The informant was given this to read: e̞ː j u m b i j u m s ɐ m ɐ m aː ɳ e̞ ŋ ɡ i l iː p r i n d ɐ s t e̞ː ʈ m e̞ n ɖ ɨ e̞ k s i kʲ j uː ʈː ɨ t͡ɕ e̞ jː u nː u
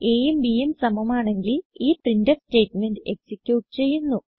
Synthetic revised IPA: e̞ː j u m b i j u m s ɐ m ɐ m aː ɳ e̞ ŋ ɡ i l iː p r i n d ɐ s t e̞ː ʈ m e̞ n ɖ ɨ e̞ k s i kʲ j uː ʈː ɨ t͡ɕ e̞ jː u nː u